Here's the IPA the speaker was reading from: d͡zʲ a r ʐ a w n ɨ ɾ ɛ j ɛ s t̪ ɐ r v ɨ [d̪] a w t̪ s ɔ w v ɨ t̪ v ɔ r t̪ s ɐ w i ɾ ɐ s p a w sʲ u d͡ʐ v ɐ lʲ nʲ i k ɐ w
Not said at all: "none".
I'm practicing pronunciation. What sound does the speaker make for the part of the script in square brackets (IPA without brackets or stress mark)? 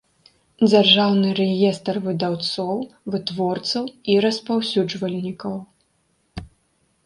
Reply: d̪